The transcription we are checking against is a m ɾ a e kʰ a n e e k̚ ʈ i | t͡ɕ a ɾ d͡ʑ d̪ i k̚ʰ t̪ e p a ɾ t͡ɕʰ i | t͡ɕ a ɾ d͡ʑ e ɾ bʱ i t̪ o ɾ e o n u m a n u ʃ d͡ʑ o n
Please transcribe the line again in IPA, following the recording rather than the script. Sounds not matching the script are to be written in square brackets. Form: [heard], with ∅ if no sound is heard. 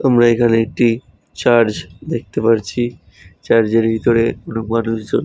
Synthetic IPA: a m ɾ a e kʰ a n e e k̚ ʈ i | t͡ɕ a ɾ d͡ʑ d̪ [e] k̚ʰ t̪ e p a ɾ t͡ɕʰ i | t͡ɕ a ɾ d͡ʑ e ɾ bʱ i t̪ o ɾ e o n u m a n u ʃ d͡ʑ o n